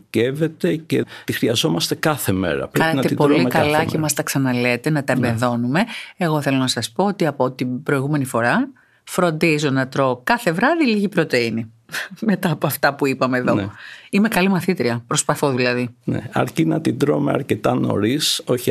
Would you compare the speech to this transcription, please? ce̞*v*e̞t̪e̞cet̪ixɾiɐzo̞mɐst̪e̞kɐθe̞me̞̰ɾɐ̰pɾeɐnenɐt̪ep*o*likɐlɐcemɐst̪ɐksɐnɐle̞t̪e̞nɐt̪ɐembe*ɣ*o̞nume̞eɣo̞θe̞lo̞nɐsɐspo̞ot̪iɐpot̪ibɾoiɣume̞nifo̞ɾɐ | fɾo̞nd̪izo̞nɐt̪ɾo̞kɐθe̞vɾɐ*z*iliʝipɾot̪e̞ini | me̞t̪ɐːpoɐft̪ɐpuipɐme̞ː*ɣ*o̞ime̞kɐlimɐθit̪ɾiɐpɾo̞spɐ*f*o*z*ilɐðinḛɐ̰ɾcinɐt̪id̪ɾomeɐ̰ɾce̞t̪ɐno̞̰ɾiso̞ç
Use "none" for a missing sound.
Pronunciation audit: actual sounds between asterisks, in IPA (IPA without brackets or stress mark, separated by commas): v, o, ð, ð, ð, θ, ð